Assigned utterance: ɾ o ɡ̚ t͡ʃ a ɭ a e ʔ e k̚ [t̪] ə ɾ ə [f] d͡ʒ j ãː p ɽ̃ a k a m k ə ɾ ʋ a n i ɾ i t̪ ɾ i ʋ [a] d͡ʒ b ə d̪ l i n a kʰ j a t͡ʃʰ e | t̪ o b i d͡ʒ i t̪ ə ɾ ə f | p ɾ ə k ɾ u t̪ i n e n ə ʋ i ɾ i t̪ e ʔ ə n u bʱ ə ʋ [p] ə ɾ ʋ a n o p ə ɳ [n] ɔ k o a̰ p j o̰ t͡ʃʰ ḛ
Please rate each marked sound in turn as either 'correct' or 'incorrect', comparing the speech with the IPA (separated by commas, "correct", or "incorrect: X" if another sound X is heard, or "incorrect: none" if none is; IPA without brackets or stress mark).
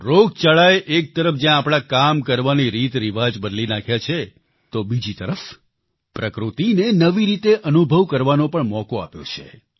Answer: correct, correct, correct, incorrect: k, incorrect: m